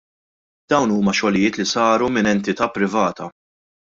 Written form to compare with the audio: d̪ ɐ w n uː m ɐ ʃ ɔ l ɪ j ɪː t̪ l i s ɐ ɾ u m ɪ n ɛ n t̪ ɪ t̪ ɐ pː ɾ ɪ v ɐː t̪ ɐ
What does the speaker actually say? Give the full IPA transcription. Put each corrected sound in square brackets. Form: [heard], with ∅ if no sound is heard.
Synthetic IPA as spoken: d̪ ɐ w n uː m ɐ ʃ ɔ l ɪ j ɪː t̪ l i s [ɐː] ɾ u m ɪ n ɛ n t̪ ɪ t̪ ɐ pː ɾ ɪ v ɐː t̪ ɐ